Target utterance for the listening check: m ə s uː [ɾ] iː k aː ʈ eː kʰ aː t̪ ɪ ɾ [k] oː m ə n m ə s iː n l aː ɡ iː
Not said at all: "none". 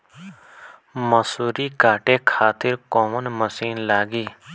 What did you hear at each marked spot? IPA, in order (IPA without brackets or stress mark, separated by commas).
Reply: ɾ, k